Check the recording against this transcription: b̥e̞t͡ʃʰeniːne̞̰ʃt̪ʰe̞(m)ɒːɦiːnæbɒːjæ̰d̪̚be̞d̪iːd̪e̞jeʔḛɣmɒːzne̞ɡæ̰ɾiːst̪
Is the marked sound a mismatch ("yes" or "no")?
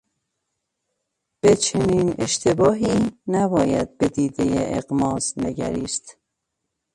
yes